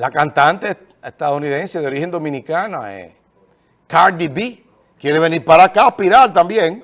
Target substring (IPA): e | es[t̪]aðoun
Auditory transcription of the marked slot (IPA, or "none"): t̪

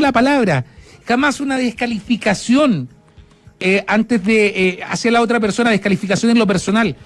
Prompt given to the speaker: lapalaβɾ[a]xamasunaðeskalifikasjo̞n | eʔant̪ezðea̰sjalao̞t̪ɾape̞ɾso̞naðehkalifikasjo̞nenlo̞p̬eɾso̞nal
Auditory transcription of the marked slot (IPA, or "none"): a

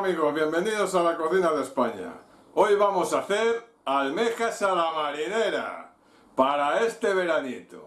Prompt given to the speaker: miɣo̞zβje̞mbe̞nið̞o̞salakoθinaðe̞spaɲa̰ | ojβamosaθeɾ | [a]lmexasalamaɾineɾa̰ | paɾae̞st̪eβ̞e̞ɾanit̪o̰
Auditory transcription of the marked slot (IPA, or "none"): a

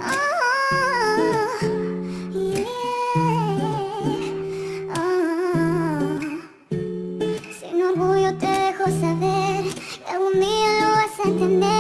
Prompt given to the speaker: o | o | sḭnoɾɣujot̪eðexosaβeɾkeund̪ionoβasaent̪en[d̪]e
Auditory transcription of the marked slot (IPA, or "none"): d̪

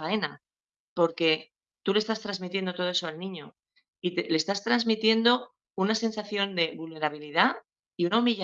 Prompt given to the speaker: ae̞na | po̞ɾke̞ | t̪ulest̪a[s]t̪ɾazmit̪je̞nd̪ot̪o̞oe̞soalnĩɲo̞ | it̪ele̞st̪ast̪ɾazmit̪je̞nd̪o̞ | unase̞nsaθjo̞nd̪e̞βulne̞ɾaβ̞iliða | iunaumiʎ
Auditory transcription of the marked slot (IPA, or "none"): s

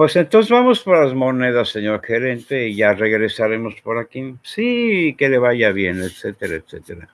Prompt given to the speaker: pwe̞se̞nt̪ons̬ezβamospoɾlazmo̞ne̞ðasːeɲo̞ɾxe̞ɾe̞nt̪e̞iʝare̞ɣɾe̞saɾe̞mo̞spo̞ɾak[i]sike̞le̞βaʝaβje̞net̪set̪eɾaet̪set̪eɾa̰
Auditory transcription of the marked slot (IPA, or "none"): i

